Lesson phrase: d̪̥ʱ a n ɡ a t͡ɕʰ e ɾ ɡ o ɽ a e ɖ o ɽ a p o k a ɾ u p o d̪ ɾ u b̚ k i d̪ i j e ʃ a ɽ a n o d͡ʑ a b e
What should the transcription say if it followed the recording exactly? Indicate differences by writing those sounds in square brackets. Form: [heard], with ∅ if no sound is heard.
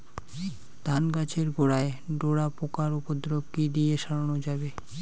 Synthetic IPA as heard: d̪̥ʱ a n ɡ a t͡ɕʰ e ɾ ɡ o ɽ a e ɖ o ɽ a p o k a ɾ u p o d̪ ɾ [o] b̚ k i d̪ i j e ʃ a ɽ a n o d͡ʑ a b e